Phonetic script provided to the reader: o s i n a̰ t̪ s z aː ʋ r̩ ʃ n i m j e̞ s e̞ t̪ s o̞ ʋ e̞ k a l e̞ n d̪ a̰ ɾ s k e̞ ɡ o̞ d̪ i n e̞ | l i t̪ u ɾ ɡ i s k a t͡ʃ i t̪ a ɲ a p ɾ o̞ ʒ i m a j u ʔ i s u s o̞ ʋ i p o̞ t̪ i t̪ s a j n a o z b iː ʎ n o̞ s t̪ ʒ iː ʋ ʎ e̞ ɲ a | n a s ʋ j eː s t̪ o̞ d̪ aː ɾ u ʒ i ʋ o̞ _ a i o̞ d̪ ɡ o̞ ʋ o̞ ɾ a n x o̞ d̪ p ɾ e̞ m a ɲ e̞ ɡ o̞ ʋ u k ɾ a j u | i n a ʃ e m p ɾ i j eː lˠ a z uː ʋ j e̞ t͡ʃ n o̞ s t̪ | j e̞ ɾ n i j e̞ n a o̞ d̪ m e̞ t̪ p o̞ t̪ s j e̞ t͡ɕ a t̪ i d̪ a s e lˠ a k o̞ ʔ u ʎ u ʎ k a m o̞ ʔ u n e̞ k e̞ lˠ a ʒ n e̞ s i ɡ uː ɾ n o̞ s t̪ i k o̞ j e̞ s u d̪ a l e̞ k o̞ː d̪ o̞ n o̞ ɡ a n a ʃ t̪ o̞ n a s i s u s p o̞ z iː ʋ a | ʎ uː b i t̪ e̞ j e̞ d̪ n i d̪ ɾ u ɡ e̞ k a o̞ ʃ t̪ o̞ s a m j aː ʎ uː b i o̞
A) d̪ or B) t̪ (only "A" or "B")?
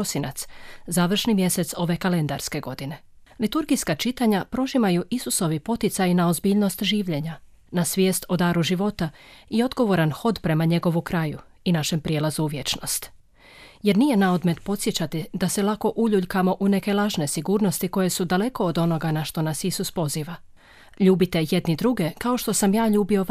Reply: B